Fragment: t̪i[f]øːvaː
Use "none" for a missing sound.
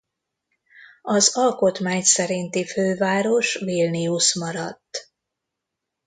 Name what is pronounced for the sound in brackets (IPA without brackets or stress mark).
f